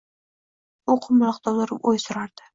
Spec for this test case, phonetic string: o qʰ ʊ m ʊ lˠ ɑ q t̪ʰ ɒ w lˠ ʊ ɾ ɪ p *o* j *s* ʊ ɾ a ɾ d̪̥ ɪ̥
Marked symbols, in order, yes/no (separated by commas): yes, yes